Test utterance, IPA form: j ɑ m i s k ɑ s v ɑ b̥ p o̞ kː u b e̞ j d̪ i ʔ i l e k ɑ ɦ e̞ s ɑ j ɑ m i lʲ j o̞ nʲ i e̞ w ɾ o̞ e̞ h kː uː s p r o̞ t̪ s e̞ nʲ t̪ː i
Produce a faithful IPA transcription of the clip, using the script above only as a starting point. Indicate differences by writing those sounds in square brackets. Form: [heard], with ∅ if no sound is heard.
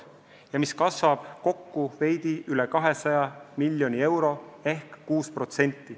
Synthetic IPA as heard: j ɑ m i s k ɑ s v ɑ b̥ [k] o̞ kː u [v] e̞ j d̪ i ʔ [y] l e k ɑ ɦ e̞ s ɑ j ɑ m i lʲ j o̞ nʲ i e̞ w ɾ o̞ e̞ h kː uː s p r o̞ t̪ s e̞ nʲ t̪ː i